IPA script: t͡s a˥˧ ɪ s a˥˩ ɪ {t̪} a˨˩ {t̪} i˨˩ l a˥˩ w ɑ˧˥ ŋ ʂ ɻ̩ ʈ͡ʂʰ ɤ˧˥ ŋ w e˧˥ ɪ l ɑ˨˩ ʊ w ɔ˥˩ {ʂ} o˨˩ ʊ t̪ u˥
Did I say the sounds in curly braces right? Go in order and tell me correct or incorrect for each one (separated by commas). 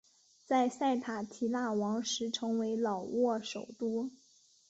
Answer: incorrect, incorrect, correct